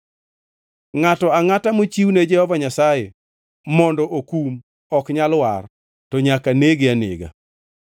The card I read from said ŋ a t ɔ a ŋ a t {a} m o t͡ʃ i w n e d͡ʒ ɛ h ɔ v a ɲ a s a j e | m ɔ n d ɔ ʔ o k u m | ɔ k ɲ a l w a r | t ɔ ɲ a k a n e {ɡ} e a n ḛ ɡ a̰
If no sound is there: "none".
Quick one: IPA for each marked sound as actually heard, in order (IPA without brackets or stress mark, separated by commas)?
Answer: a, ɡ